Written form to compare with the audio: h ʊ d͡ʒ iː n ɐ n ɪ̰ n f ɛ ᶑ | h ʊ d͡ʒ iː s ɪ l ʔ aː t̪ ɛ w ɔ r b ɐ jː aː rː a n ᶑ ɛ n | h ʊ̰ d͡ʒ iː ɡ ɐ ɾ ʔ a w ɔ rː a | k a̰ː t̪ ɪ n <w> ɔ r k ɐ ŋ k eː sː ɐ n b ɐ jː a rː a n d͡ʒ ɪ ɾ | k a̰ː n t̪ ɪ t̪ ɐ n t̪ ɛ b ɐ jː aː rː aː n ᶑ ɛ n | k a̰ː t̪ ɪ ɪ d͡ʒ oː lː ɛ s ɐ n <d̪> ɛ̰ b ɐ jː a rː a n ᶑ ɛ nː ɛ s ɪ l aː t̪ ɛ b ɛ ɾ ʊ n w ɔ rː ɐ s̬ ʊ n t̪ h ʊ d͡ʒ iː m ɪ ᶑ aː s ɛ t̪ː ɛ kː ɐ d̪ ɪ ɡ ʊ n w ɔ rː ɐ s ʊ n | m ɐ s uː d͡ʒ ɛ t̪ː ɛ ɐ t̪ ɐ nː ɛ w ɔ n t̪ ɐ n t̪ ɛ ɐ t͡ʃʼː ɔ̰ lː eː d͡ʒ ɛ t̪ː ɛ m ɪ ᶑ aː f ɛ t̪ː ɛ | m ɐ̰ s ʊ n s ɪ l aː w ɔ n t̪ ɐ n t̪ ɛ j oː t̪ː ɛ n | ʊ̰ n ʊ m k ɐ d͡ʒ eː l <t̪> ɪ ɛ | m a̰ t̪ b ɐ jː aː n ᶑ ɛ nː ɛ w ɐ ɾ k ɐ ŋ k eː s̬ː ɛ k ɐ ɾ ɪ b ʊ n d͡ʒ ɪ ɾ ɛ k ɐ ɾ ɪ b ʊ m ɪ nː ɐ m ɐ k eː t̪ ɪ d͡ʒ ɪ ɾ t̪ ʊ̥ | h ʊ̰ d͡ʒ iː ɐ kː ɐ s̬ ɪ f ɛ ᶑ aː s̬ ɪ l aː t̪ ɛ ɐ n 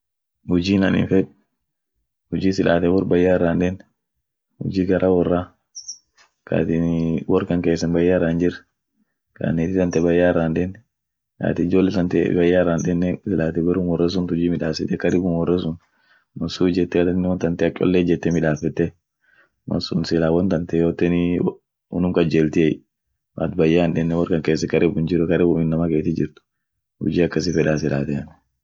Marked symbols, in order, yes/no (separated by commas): yes, no, yes